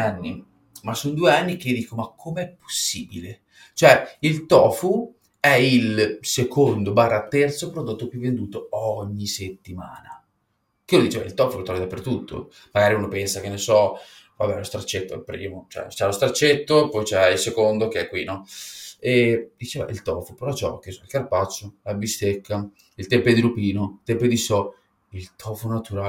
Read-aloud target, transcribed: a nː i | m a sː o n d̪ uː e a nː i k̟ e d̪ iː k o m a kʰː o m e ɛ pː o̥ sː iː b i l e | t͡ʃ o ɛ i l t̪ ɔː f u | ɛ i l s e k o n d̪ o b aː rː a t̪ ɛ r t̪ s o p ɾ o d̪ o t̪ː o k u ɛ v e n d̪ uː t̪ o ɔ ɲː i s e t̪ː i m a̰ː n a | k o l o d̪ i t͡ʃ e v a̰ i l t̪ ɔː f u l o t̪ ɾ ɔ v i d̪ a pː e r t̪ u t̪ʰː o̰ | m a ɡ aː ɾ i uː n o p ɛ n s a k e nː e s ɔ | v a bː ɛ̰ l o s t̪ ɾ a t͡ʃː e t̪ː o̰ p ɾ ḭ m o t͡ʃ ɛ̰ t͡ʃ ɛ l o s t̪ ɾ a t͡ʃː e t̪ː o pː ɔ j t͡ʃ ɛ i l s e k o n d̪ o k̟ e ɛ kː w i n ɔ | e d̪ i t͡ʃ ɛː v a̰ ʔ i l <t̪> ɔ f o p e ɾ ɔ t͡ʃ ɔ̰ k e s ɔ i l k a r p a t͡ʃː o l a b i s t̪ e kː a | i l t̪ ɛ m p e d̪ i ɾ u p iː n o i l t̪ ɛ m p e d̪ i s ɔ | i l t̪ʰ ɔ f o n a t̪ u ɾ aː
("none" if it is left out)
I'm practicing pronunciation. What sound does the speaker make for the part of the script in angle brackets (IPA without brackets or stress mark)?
t̪